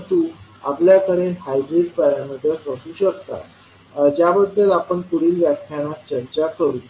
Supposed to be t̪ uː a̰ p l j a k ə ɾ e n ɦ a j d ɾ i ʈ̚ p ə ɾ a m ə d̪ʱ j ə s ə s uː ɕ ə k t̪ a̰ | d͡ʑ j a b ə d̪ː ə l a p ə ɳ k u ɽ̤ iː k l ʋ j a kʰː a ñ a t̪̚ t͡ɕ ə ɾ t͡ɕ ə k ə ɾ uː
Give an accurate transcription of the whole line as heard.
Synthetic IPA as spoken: t̪ uː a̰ p l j a k ə ɾ e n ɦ a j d ɾ i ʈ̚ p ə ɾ a m ə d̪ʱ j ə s ə s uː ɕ ə k t̪ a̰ | d͡ʑ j a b ə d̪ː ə l a p ə ɳ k u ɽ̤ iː l ʋ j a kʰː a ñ a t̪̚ t͡ɕ ə ɾ t͡ɕ a k ə ɾ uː